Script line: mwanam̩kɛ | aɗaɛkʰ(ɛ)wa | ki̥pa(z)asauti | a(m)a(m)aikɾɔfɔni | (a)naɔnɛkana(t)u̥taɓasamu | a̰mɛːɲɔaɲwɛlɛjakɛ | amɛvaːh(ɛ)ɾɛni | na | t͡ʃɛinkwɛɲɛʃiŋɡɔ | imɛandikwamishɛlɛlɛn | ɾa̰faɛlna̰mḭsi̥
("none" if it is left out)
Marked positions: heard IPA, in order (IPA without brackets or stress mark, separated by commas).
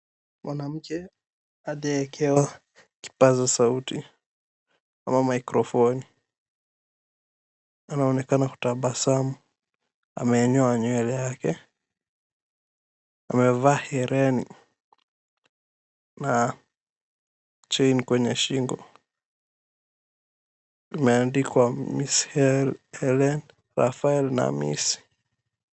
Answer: ɛ, z, m, m, a, k, ɛ